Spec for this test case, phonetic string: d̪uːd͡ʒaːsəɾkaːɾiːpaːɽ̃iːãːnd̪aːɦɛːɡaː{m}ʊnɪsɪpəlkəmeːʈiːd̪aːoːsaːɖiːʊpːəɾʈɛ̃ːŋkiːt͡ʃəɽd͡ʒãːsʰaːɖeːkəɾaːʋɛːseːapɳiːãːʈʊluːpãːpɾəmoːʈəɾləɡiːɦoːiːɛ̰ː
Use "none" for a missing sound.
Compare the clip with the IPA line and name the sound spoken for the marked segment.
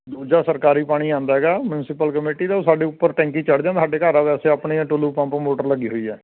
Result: m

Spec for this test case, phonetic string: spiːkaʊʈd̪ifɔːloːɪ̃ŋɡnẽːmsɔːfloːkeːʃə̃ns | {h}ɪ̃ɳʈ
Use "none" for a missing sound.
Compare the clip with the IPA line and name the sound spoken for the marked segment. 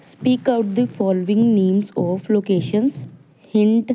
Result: h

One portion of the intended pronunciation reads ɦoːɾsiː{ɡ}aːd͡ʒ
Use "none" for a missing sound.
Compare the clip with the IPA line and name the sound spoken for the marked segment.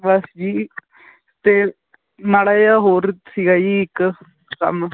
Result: ɡ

